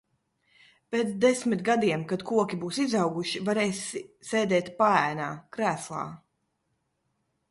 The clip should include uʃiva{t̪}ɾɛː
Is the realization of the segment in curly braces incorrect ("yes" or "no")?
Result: yes